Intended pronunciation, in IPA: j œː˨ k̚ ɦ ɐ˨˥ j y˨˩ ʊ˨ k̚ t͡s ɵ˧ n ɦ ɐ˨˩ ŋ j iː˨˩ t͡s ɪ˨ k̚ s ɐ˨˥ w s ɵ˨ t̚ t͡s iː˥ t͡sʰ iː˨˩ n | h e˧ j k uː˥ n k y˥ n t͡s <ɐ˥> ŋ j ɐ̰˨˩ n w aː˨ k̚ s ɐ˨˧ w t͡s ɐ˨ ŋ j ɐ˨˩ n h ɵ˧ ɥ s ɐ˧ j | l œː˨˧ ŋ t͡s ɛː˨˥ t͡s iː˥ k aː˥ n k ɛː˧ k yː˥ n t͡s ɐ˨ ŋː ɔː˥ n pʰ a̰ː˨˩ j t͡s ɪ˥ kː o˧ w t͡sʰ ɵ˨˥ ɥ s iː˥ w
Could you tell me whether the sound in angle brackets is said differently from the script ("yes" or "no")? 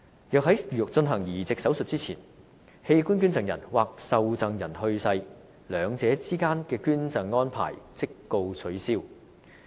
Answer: yes